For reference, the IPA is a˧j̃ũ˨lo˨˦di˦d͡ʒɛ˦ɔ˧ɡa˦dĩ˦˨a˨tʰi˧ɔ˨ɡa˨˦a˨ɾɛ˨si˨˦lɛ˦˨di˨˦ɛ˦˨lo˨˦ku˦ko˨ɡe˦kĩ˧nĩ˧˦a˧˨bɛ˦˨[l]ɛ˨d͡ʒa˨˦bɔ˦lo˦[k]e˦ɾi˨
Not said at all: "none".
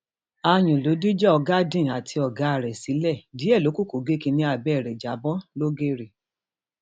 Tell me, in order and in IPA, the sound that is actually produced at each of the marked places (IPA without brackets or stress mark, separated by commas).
ɾ, ɡ